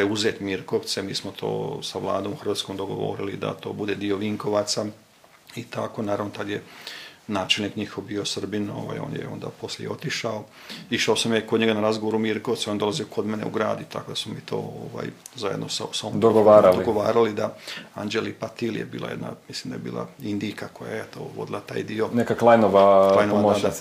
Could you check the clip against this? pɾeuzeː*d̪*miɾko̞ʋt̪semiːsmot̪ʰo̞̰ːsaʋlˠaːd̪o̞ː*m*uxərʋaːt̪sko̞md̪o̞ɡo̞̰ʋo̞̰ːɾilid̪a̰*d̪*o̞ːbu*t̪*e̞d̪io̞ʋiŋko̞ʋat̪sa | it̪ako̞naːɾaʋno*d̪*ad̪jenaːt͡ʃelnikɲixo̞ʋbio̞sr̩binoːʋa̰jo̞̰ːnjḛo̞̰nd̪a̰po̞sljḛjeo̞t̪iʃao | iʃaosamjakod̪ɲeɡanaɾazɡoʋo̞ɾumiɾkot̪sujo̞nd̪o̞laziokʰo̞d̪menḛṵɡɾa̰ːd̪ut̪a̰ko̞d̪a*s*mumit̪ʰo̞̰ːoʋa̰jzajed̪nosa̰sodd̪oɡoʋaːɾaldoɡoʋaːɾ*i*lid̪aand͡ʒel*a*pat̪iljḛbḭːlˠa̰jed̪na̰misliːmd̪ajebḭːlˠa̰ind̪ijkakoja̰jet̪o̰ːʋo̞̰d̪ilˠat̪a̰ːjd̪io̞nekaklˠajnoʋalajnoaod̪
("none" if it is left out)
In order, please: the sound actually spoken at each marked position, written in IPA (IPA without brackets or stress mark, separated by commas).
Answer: t̪, m, t̪, d̪, t̪, s, a, i